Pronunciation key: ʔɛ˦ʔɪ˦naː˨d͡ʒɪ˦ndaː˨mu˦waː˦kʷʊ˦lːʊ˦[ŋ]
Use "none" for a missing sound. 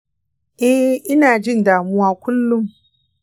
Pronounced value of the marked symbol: m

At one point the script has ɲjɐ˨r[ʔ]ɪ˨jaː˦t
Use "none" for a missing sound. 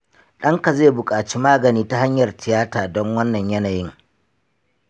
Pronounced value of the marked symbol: t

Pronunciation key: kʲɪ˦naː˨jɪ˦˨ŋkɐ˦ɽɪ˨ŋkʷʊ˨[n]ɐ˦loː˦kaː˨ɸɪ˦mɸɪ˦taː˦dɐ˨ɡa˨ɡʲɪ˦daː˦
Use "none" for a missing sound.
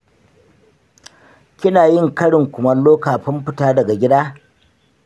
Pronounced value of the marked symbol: m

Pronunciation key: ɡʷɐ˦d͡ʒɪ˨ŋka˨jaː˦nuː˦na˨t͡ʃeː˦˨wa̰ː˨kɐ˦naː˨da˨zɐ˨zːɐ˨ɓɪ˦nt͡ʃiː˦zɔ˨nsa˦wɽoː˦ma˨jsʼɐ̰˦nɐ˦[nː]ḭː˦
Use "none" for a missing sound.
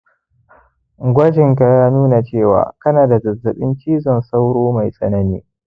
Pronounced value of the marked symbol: n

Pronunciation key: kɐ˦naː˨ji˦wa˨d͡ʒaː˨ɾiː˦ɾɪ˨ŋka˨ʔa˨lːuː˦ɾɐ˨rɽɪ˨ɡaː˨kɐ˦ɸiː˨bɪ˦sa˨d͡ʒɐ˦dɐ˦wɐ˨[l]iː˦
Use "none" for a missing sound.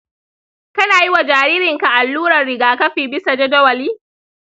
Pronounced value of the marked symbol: l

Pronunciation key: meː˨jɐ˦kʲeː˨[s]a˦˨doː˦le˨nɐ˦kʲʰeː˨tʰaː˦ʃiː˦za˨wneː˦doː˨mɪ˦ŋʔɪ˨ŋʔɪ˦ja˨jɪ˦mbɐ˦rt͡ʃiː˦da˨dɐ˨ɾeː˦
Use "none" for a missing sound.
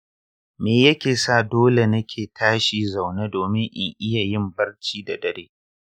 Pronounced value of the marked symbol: s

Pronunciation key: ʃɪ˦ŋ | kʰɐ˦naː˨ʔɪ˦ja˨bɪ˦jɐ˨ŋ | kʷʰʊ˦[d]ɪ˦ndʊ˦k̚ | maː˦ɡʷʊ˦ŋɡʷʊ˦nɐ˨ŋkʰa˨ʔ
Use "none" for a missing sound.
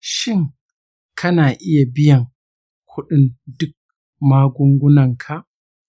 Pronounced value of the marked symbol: ɗ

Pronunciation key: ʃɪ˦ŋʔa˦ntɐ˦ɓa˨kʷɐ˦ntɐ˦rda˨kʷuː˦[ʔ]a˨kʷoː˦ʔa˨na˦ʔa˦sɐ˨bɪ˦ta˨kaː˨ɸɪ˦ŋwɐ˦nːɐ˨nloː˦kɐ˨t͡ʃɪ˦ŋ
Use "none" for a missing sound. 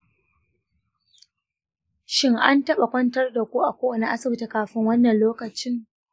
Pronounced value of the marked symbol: ʔ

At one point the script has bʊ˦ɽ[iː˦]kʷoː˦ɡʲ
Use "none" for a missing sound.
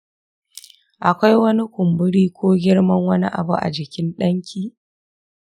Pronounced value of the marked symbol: iː˦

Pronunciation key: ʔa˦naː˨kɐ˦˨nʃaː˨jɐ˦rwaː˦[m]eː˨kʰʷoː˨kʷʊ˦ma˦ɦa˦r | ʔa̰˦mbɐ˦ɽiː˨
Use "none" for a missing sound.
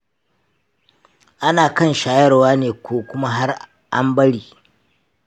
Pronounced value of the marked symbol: n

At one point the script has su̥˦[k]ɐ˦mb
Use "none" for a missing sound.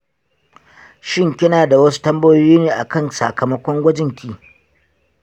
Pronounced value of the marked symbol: t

